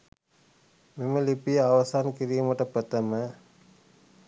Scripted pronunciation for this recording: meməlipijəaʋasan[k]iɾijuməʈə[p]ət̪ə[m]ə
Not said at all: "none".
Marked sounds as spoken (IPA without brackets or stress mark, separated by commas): k, p, m